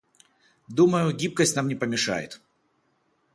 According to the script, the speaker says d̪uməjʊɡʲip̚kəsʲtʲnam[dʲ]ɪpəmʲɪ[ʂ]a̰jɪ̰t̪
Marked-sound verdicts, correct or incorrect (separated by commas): incorrect, correct